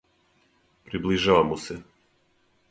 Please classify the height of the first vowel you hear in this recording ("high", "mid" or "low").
high